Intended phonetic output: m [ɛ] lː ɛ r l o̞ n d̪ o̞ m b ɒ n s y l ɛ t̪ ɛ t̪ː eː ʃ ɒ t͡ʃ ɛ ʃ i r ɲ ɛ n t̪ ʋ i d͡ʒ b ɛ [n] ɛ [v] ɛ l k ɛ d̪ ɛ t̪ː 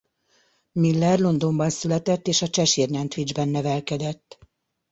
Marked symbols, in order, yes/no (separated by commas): no, no, yes